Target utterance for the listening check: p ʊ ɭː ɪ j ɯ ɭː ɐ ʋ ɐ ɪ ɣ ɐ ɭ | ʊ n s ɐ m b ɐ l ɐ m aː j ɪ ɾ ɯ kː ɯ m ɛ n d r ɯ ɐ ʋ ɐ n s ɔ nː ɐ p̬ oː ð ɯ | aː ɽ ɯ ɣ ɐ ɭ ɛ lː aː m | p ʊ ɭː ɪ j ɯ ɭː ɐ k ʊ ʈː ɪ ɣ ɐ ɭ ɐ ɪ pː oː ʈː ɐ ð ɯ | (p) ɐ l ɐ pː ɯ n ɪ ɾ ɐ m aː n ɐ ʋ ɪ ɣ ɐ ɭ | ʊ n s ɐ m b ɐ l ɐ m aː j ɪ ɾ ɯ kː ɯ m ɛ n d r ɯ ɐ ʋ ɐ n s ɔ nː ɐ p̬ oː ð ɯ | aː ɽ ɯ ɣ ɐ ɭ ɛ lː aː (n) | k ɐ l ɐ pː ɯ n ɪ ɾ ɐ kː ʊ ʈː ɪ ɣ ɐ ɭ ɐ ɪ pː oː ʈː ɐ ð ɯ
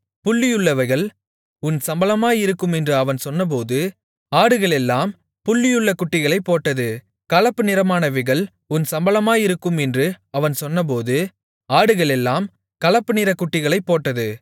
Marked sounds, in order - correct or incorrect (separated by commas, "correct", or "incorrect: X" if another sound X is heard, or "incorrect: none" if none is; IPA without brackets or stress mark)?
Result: incorrect: k, incorrect: m